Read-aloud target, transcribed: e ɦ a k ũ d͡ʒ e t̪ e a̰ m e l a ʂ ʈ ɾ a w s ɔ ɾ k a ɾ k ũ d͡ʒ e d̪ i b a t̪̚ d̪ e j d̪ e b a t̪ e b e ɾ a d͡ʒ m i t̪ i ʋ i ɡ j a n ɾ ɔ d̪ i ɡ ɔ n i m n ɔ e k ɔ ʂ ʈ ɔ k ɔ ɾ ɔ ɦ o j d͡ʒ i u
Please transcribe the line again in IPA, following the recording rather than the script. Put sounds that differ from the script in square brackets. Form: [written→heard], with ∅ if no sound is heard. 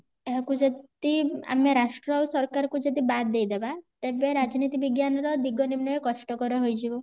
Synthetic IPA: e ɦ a k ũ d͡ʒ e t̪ [e→i] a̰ m e [l→ɾ] a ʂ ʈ ɾ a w s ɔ ɾ k a ɾ k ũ d͡ʒ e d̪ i b a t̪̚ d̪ e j d̪ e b a t̪ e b e ɾ a d͡ʒ [m→n] i t̪ i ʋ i ɡ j a n ɾ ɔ d̪ i ɡ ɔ n i m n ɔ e k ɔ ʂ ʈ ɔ k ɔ ɾ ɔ ɦ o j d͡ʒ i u